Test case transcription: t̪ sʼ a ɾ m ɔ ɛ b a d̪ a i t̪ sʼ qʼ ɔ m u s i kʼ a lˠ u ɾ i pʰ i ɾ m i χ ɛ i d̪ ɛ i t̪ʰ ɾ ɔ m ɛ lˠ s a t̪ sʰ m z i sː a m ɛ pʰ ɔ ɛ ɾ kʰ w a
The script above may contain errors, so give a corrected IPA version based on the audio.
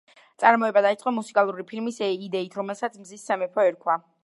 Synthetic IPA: t̪ sʼ a ɾ m ɔ ɛ b a d̪ a i t̪ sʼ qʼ ɔ m u s i kʼ a lˠ u ɾ i pʰ i l m i s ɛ i d̪ ɛ i t̪ʰ ɾ ɔ m ɛ lˠ s a t̪ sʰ m z i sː a m ɛ pʰ ɔ ɛ ɾ kʰ w a